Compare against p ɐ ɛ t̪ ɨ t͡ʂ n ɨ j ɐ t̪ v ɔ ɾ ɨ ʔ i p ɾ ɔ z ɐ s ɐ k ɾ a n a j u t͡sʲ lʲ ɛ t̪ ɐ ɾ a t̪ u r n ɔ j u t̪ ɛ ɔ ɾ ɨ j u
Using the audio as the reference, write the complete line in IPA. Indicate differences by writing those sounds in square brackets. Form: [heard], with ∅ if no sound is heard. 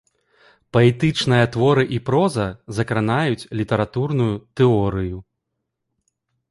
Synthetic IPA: p ɐ ɛ t̪ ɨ t͡ʂ n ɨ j ɐ t̪ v ɔ ɾ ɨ ʔ i p ɾ ɔ z ɐ [z] ɐ k ɾ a n a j u t͡sʲ lʲ [i] t̪ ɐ ɾ a t̪ u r n [u] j u t̪ ɛ ɔ ɾ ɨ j u